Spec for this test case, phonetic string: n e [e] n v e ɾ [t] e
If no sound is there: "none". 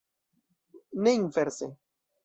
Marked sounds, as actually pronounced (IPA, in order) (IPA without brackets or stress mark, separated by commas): i, s